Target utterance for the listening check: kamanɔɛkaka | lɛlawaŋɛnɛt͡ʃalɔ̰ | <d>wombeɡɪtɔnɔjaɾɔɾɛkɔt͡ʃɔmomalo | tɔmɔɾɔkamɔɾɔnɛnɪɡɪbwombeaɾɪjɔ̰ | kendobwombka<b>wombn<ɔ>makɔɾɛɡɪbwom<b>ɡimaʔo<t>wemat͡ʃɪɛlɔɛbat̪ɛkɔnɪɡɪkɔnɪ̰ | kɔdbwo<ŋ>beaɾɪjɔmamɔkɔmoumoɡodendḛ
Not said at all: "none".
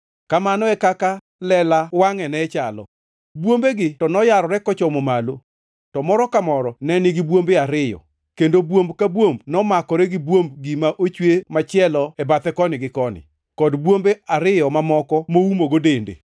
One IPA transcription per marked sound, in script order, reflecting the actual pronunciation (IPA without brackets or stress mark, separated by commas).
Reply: b, b, ɔ, b, t͡ʃ, m